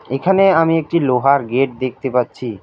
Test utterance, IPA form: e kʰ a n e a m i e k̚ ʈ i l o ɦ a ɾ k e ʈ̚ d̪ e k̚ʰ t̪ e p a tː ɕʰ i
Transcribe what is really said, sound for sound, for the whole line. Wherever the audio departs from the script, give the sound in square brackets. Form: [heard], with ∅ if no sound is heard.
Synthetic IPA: e kʰ a n e a m i e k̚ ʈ i l o ɦ a ɾ [ɡ] e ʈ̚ d̪ e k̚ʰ t̪ e p a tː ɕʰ i